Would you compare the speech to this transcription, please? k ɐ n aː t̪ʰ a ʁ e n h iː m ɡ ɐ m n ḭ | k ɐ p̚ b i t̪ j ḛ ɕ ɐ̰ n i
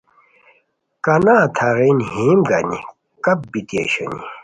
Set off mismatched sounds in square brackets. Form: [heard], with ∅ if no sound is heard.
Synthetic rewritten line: k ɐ n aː t̪ʰ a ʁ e n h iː m ɡ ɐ [∅] n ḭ | k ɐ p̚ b i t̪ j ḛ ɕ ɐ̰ n i